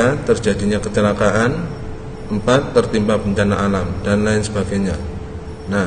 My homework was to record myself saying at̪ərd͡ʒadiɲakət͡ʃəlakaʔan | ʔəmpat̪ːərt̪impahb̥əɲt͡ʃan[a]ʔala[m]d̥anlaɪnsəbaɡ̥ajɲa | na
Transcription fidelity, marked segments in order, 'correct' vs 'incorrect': correct, correct

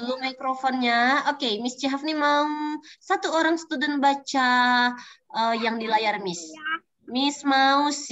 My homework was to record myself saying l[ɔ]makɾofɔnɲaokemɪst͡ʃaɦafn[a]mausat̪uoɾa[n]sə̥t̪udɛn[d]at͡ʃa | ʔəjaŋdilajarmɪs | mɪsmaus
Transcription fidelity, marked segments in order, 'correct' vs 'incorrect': incorrect, incorrect, incorrect, incorrect

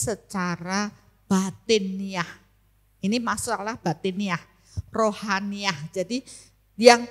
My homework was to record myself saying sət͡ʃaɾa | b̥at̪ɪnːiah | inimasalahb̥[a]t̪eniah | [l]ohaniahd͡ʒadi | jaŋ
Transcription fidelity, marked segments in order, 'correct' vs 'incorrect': correct, incorrect

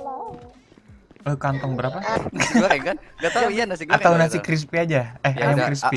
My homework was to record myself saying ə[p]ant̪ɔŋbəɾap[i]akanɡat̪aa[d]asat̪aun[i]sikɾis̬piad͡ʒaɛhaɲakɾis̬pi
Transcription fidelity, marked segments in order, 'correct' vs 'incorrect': incorrect, incorrect, incorrect, incorrect

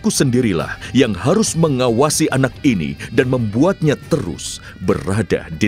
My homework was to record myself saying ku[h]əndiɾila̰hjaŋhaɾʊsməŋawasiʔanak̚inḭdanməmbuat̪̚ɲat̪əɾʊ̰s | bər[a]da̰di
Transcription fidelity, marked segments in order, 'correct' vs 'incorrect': incorrect, correct

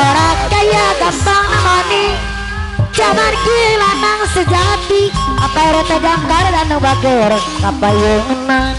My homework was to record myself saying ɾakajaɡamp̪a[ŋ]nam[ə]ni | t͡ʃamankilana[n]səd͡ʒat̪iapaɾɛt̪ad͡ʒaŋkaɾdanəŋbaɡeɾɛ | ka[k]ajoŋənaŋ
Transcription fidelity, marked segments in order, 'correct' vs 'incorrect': correct, incorrect, incorrect, incorrect

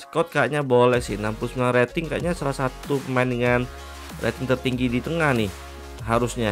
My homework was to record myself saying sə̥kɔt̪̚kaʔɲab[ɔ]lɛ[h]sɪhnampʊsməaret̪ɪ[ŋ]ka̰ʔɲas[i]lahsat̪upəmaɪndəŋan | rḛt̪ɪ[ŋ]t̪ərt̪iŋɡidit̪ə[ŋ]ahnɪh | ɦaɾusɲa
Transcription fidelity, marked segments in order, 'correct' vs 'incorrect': incorrect, correct, correct, incorrect, correct, correct

